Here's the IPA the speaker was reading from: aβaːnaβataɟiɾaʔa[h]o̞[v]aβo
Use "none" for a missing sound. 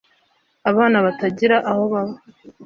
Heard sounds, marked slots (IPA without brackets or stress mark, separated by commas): h, β